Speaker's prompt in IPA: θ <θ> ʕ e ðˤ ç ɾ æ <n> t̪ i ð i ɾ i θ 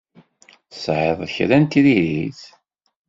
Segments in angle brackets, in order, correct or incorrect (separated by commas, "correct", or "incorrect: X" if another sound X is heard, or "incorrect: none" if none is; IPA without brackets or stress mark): incorrect: s, correct